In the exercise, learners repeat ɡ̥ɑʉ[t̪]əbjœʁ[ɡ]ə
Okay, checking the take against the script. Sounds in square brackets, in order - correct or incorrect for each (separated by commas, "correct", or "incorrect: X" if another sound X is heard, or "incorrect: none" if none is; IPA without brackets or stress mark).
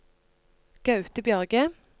correct, correct